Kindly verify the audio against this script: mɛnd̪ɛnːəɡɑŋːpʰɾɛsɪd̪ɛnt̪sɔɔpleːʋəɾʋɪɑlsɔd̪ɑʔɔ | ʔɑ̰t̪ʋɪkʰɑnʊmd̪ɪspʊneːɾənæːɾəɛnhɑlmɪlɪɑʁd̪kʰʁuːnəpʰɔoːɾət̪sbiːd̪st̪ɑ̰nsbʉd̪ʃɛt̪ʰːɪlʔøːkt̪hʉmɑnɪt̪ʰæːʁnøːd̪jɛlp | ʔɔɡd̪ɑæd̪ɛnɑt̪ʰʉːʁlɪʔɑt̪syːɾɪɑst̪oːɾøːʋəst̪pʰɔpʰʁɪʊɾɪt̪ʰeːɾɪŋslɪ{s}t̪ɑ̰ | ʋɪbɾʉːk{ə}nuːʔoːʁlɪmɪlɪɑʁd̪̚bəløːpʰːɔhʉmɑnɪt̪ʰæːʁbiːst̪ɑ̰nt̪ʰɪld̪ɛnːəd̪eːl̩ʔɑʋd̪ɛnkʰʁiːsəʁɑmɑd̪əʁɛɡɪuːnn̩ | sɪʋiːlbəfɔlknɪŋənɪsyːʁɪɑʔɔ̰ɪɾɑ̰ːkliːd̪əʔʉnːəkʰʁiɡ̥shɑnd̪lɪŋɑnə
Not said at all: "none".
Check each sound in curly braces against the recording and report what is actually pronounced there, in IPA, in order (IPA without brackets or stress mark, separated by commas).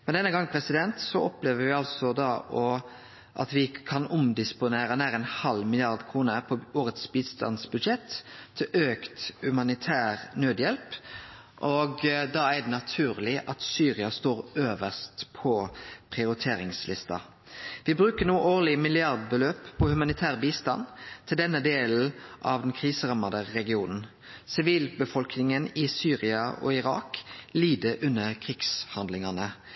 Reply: s, ə